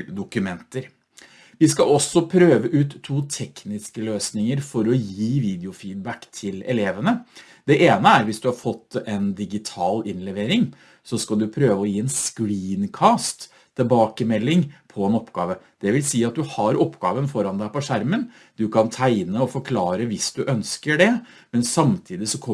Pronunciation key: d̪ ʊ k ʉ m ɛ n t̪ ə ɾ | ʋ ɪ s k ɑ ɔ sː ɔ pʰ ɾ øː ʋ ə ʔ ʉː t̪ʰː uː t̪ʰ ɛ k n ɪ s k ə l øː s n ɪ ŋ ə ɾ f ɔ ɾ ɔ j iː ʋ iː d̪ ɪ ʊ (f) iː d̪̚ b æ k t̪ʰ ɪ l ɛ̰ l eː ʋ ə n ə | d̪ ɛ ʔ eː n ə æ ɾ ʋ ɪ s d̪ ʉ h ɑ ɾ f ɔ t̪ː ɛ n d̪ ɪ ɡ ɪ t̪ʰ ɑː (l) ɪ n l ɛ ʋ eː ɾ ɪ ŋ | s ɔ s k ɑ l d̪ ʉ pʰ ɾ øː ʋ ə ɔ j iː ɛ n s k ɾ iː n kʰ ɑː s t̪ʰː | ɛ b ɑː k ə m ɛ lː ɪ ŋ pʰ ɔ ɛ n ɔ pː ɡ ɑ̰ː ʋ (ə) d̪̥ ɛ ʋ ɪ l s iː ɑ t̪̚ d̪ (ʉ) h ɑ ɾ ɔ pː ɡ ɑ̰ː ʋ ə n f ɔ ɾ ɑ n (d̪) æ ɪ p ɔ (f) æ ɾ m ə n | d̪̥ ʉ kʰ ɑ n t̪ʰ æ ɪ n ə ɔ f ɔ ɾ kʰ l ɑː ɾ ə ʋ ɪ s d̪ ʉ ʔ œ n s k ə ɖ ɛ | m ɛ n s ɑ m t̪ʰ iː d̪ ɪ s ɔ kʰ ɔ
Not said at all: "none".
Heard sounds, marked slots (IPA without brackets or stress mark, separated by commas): f, l, ə, ʉ, d̪, ʂ